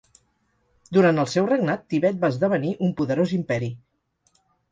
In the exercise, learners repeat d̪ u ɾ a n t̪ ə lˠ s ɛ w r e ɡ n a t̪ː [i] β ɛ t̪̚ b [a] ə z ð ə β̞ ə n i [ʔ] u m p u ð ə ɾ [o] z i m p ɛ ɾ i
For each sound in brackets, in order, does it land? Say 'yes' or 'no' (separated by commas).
yes, yes, yes, yes